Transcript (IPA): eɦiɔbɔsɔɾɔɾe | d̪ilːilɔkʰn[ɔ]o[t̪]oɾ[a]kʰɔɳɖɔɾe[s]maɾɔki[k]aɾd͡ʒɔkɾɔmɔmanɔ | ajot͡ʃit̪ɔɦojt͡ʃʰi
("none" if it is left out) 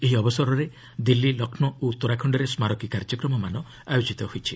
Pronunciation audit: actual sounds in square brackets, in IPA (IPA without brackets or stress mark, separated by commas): ɔ, t̪, a, s, k